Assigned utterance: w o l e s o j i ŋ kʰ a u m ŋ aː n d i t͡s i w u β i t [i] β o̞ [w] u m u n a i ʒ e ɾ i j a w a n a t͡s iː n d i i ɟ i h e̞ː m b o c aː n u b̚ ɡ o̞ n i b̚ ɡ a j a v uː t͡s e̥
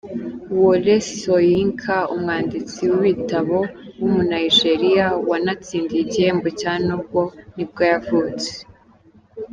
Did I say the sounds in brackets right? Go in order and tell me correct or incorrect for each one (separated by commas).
incorrect, correct